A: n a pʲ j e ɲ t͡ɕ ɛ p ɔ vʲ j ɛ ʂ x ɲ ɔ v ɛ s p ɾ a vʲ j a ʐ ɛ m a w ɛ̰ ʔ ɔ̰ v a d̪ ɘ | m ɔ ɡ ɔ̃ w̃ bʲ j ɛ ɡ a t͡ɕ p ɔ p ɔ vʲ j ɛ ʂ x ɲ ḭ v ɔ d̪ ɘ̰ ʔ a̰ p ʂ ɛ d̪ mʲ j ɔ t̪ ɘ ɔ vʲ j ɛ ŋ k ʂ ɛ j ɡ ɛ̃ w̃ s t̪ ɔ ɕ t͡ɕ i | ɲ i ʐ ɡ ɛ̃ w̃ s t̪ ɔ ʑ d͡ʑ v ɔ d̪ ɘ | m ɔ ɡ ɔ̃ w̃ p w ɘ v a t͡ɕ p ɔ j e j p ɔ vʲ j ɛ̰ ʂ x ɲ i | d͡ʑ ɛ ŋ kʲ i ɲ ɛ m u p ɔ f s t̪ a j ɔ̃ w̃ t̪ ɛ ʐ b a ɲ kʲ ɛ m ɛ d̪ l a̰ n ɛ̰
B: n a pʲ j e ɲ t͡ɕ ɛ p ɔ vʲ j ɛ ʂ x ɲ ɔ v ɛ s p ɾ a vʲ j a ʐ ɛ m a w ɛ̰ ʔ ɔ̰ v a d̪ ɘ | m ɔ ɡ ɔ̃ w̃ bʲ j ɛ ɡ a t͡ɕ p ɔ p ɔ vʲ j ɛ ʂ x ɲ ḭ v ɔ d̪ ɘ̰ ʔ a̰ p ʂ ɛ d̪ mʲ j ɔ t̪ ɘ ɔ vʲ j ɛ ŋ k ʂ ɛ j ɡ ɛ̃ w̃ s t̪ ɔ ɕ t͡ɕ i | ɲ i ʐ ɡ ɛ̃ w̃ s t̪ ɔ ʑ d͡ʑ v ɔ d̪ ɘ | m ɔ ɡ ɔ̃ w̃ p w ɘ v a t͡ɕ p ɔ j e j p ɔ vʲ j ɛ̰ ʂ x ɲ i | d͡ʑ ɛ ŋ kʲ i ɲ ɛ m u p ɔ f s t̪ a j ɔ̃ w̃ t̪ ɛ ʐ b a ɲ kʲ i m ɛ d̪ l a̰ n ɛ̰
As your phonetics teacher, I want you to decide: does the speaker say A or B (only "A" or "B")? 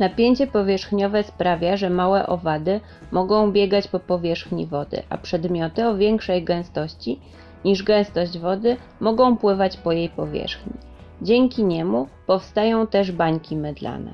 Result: B